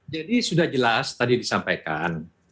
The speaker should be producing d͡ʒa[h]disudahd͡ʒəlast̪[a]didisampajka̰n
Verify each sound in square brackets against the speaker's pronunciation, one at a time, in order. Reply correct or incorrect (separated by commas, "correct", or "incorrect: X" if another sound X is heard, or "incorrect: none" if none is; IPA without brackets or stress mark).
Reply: incorrect: none, correct